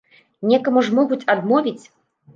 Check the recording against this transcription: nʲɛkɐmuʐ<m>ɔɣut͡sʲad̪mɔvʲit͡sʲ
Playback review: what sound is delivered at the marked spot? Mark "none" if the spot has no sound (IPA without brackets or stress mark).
m